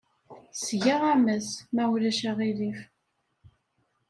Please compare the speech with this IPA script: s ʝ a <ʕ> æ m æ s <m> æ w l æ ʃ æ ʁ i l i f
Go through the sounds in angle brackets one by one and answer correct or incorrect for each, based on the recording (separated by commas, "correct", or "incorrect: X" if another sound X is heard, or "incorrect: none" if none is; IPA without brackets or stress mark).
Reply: incorrect: ʁ, correct